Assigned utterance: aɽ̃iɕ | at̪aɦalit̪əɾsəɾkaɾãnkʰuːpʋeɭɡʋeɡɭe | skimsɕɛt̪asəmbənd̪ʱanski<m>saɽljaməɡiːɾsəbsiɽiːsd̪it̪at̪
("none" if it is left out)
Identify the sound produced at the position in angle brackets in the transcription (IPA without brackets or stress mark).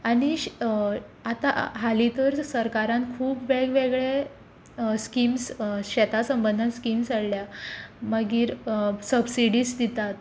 m